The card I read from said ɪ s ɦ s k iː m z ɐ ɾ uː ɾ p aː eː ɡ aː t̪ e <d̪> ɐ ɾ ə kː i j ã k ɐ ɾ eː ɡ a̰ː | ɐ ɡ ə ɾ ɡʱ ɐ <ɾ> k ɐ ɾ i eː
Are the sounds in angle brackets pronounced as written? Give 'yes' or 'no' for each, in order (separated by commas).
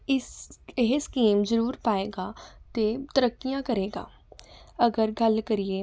no, no